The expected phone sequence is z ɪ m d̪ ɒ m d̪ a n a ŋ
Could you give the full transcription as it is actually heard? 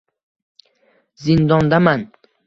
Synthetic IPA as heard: z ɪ n d̪ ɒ n d̪ a m a n